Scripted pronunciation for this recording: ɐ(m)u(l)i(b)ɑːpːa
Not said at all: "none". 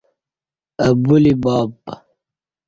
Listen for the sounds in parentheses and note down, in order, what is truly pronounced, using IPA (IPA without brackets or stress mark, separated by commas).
b, l, b